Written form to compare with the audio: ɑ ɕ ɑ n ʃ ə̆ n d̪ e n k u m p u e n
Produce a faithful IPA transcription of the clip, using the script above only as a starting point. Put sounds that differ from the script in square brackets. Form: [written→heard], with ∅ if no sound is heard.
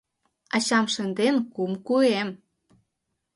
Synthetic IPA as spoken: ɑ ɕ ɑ [n→m] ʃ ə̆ n d̪ e n k u m [p→k] u e [n→m]